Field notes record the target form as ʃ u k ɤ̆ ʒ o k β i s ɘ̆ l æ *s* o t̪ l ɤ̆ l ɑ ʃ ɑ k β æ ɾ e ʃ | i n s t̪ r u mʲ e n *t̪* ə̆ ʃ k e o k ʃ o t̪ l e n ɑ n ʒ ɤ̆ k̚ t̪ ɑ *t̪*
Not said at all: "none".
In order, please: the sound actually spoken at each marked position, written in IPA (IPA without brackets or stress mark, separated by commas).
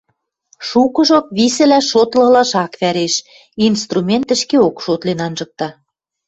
ʃ, t̪, none